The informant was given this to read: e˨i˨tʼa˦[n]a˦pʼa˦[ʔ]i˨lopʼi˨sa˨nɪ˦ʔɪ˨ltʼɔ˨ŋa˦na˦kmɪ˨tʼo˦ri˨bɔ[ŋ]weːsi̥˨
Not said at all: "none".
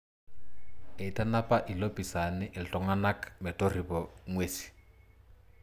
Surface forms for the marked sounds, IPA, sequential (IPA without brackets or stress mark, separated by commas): n, ʔ, ŋ